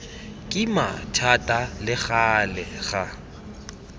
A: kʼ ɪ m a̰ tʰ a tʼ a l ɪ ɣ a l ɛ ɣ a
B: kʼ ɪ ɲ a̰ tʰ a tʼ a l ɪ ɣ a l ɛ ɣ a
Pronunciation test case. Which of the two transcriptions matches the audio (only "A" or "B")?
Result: A